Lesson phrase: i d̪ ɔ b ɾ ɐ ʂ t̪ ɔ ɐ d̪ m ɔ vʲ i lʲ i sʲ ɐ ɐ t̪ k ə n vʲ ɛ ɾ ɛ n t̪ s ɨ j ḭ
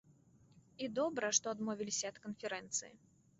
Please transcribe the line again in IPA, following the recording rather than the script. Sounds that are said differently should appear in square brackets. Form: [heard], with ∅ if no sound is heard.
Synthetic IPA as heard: i d̪ ɔ b ɾ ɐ ʂ t̪ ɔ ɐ d̪ m ɔ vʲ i lʲ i sʲ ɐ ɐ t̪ k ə n [fʲ] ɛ ɾ ɛ n t̪ s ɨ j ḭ

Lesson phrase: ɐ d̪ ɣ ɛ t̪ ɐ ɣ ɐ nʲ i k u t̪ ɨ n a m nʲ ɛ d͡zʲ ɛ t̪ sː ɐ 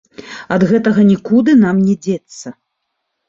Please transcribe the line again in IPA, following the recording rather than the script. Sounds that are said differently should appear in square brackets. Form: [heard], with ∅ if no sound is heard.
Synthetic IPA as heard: ɐ d̪ ɣ ɛ t̪ ɐ ɣ ɐ nʲ i k u [d̪] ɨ n a m nʲ ɛ d͡zʲ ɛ t̪ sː ɐ

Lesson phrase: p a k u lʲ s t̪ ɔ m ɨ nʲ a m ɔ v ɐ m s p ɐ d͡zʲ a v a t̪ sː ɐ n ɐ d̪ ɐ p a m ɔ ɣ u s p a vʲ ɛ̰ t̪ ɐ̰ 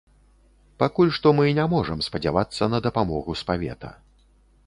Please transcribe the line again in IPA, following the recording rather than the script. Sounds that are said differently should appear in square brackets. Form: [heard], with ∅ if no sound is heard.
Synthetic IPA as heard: p a k u lʲ [ʂ] t̪ ɔ m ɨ nʲ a m ɔ [ʐ] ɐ m s p ɐ d͡zʲ a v a t̪ sː ɐ n ɐ d̪ ɐ p a m ɔ ɣ u s p a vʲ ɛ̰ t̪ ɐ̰

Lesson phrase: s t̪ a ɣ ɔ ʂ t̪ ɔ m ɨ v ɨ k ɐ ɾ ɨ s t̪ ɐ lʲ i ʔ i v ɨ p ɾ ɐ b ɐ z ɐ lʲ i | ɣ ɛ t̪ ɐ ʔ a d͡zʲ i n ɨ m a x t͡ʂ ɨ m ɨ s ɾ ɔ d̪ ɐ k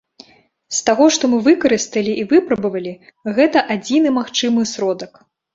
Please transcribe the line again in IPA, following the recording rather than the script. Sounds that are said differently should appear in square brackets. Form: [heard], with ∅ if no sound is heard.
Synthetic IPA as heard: s t̪ a ɣ ɔ ʂ t̪ ɔ m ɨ v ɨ k ɐ ɾ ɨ s t̪ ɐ lʲ i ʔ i v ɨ p ɾ ɐ b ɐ [v] ɐ lʲ i | ɣ ɛ t̪ ɐ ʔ a d͡zʲ i n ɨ m a x t͡ʂ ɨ m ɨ s ɾ ɔ d̪ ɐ k

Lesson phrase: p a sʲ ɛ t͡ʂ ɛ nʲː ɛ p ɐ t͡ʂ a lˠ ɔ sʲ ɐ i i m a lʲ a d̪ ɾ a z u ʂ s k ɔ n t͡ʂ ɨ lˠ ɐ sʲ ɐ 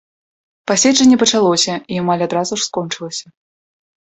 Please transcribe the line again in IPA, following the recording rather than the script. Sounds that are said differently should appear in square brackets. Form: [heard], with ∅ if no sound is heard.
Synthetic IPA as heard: p a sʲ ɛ t͡ʂ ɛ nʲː ɛ p ɐ t͡ʂ a lˠ ɔ sʲ ɐ i [a] m a lʲ a d̪ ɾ a z u ʂ s k ɔ n t͡ʂ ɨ lˠ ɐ sʲ ɐ

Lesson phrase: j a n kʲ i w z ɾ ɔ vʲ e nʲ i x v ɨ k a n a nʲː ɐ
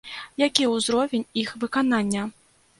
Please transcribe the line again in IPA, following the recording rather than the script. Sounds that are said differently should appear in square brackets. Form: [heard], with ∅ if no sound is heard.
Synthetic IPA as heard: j a [∅] kʲ i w z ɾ ɔ vʲ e nʲ i x v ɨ k a n a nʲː ɐ

